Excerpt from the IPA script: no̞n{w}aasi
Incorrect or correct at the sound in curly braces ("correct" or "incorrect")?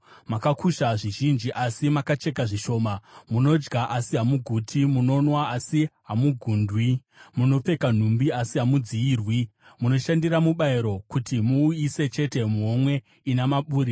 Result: correct